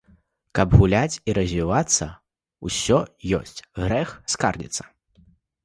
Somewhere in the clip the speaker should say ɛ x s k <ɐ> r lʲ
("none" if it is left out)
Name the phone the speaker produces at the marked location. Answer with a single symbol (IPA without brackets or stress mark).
a